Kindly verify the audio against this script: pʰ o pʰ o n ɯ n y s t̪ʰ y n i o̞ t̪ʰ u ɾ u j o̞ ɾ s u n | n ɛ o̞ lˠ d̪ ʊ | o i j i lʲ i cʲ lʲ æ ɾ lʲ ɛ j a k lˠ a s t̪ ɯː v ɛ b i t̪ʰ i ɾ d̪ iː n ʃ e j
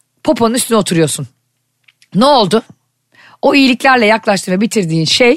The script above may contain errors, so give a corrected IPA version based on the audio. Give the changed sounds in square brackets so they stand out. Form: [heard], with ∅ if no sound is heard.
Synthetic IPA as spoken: pʰ o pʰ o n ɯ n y s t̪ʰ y n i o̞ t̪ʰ u ɾ u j o̞ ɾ s u n | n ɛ o̞ lˠ d̪ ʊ | o i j i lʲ i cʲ lʲ æ ɾ lʲ ɛ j a k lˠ a [ʃ] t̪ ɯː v ɛ b i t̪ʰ i ɾ d̪ iː n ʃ e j